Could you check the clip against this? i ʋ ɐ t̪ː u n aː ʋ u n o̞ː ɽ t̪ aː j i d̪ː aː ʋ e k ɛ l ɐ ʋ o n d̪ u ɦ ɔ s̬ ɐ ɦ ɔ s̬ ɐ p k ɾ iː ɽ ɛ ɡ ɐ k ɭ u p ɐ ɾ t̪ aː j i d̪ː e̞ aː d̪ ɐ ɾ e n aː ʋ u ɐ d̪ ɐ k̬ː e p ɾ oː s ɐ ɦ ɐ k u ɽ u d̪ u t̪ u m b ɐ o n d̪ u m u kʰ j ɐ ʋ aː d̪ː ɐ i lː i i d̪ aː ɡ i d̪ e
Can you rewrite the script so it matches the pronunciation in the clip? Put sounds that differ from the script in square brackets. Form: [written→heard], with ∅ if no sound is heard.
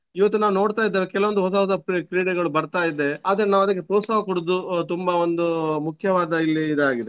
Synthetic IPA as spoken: i ʋ ɐ t̪ː u n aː ʋ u n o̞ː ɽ t̪ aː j i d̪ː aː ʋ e k ɛ l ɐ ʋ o n d̪ u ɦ ɔ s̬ ɐ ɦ ɔ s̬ ɐ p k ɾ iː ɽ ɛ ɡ ɐ [k→∅] ɭ u [p→b] ɐ ɾ t̪ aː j i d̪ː e̞ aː d̪ ɐ ɾ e n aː ʋ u ɐ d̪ ɐ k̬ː e p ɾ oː s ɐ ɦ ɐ k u ɽ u d̪ u t̪ u m b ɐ o n d̪ u m u kʰ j ɐ ʋ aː [d̪ː→d̪] ɐ i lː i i d̪ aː ɡ i d̪ e